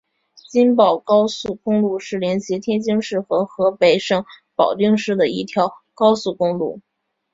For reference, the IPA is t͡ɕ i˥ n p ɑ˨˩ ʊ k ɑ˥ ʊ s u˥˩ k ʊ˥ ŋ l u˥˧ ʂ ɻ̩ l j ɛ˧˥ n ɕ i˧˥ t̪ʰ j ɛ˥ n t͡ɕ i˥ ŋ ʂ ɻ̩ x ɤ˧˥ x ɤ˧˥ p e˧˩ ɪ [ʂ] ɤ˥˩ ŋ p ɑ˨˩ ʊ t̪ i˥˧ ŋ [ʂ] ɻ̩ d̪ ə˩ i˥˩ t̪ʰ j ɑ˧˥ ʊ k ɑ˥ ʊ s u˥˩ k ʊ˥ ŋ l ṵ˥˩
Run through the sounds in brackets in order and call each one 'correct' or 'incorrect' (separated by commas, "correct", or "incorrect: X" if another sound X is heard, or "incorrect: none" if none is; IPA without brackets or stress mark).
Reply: correct, correct